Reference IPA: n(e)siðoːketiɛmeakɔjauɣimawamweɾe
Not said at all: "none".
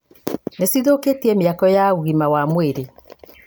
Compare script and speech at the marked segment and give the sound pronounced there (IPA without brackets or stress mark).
e